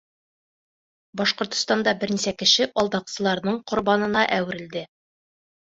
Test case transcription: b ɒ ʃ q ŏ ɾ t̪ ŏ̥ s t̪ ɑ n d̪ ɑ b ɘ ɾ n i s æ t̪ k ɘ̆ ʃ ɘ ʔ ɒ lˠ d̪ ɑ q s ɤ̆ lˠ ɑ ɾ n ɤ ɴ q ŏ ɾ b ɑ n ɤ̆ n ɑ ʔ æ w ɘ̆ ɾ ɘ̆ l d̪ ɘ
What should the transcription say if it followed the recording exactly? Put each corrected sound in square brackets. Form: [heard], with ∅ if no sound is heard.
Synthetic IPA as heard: b ɒ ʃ q ŏ ɾ t̪ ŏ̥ s t̪ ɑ n d̪ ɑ b ɘ ɾ n i s æ [∅] k ɘ̆ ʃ ɘ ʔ ɒ lˠ d̪ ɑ q s ɤ̆ lˠ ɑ ɾ n ɤ ɴ q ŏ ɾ b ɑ n ɤ̆ n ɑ ʔ æ w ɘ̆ ɾ ɘ̆ l d̪ ɘ